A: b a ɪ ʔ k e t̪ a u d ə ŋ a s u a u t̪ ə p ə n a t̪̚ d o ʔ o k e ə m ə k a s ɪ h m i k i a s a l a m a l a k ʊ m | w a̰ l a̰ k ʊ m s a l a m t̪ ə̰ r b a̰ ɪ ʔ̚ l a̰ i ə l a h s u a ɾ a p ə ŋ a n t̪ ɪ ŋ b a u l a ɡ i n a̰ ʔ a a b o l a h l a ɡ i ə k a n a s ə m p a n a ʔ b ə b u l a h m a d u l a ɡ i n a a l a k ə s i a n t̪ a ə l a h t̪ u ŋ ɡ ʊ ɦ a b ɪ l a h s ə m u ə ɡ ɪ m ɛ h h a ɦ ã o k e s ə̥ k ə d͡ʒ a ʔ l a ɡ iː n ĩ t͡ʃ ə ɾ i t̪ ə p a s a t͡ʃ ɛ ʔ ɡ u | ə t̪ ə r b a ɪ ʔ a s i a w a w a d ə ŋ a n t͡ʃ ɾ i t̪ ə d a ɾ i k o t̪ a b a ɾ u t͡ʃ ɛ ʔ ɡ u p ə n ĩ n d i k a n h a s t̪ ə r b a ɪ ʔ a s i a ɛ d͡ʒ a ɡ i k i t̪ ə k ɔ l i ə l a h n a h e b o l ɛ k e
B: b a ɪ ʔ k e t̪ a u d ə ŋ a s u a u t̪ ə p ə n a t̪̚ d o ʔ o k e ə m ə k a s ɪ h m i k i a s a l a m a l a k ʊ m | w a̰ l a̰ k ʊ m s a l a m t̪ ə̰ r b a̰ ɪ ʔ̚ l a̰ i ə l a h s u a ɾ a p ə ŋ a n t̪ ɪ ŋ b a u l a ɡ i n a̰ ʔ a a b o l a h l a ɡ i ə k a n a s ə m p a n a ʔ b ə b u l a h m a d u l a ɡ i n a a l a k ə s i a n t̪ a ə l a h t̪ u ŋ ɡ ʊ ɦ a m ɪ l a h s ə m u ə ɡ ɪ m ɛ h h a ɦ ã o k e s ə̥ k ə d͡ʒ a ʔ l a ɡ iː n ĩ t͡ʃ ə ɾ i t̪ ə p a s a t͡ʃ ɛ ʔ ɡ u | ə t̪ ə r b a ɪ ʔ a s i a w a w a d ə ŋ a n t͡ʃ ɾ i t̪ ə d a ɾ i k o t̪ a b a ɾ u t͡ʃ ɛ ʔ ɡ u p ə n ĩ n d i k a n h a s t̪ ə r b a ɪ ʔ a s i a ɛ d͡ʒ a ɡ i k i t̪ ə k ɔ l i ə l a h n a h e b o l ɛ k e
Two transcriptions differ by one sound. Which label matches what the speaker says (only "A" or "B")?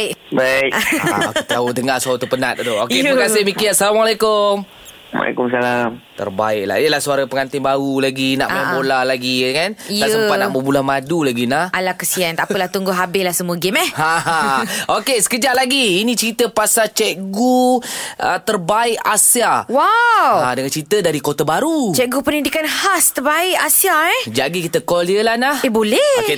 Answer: A